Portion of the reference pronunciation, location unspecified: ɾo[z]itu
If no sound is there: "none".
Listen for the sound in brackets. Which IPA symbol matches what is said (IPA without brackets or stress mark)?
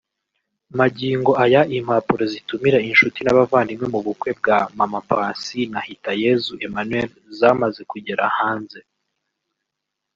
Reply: z